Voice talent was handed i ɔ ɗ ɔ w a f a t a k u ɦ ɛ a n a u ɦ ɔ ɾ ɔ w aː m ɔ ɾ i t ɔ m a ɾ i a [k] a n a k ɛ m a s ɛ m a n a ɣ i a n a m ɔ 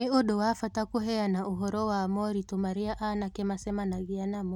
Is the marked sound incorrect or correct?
incorrect